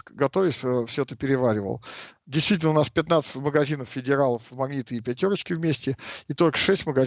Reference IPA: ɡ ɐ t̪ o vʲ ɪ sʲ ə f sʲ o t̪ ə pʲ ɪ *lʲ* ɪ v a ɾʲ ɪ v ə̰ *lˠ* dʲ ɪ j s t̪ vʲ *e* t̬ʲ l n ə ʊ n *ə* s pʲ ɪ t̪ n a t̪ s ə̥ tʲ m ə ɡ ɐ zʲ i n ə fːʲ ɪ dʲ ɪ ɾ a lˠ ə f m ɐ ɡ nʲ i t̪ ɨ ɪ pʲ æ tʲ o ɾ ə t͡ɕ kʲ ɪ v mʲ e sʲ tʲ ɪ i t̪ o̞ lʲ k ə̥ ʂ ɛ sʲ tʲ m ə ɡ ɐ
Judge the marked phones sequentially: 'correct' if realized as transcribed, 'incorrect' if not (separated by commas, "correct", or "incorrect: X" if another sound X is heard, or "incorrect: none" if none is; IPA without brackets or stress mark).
incorrect: ɾʲ, correct, incorrect: i, incorrect: a